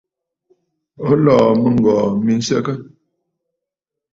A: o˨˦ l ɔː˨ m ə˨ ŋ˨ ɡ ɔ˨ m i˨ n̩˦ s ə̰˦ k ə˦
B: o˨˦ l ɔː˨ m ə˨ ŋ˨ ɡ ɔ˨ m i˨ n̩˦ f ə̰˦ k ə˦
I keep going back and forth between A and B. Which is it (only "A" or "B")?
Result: A